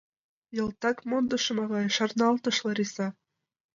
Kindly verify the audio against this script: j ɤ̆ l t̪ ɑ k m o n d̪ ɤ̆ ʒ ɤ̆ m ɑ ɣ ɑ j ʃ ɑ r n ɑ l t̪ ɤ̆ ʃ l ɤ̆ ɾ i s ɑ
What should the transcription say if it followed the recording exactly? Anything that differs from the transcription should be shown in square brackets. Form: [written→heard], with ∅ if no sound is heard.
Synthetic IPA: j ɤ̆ l t̪ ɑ k m o n d̪ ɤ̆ [ʒ→ʃ] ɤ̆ m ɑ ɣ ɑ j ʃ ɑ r n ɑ l t̪ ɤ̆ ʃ l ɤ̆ ɾ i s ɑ